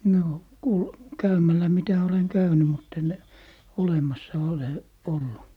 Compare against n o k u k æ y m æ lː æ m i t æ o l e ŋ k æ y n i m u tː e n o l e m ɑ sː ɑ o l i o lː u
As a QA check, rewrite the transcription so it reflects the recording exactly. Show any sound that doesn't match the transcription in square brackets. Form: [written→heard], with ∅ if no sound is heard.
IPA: n [o→oː] k u k æ y m æ lː æ m i t æ o l e ŋ k æ y n [i→y] m u tː e n o l e m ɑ sː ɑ o l [i→e] o lː u